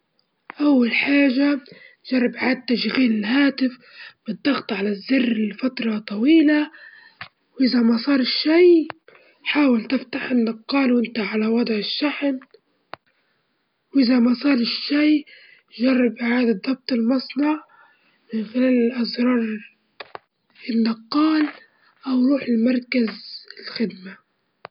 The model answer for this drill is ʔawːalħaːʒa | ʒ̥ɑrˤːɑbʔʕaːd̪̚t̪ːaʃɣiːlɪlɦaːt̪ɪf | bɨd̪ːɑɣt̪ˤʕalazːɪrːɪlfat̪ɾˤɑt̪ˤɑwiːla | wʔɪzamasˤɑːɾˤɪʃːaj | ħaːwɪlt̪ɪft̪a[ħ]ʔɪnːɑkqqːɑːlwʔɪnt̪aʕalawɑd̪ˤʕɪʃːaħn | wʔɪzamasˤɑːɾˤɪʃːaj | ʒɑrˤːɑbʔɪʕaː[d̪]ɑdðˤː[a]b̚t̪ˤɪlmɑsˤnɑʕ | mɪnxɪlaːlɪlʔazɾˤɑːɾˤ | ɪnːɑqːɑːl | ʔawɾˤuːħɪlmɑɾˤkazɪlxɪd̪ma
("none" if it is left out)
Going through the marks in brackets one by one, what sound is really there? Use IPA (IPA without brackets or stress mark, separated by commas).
ħ, d̪, ɑ